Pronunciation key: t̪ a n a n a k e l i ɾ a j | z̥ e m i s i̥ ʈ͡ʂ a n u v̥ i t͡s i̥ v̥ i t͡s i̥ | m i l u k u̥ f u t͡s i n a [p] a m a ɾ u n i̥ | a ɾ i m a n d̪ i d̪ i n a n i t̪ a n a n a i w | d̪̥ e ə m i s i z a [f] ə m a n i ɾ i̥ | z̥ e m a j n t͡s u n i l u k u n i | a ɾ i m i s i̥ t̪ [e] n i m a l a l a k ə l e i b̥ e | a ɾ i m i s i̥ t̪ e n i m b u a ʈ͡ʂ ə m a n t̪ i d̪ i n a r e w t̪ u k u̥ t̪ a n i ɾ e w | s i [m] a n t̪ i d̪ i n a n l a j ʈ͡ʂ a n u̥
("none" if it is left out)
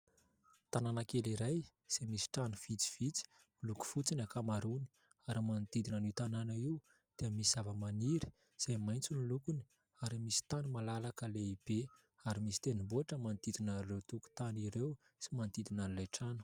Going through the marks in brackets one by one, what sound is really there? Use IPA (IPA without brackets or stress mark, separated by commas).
k, v, a, m